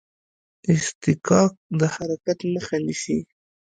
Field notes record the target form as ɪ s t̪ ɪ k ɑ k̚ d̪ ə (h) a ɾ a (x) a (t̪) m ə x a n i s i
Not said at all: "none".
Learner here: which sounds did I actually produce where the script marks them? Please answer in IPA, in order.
h, k, t̪

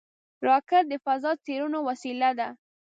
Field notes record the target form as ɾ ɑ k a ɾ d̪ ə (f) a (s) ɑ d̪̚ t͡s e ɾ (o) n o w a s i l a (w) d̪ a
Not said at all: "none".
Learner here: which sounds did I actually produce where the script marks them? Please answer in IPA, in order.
f, z, u, none

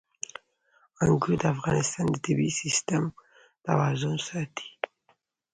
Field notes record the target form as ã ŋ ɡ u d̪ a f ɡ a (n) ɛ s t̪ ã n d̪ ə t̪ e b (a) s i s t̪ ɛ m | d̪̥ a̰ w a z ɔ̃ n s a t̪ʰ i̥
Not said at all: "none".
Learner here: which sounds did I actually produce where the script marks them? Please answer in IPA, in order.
n, i

